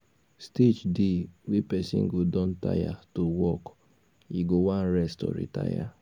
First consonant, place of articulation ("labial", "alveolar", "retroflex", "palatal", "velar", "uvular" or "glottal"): alveolar